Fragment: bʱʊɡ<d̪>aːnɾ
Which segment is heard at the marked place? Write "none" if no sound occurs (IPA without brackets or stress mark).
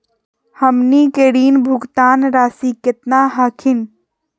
t̪